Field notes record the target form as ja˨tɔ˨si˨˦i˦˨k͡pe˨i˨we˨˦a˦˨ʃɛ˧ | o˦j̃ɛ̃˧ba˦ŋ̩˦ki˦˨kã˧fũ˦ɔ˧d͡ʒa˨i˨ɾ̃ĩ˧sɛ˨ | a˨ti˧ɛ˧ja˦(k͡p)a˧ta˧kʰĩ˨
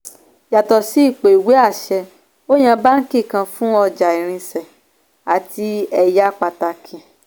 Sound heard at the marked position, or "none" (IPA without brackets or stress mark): k͡p